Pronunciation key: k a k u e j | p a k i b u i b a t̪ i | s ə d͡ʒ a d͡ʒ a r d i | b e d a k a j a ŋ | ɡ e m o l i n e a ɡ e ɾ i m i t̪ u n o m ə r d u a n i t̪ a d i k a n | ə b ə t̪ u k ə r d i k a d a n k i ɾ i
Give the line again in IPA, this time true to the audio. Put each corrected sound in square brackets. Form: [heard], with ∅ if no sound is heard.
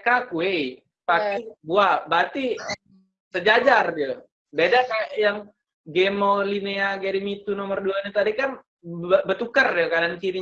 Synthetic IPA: k a k u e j | p a k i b u [a] b a t̪ i | s ə d͡ʒ a d͡ʒ a r d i | b e d a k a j a ŋ | ɡ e m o l i n e a ɡ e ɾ i m i t̪ u n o m ə r d u a n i t̪ a d i k a n | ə b ə t̪ u k ə r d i k a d a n k i ɾ i